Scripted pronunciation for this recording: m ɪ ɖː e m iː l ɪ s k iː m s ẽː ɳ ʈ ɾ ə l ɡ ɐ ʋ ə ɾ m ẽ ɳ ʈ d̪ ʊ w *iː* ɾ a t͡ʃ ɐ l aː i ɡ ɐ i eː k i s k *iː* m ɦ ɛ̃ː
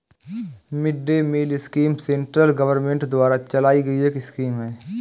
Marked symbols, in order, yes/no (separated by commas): no, yes